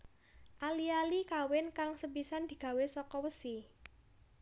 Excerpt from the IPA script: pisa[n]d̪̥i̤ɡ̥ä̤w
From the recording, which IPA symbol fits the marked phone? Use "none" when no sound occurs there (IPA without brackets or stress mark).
n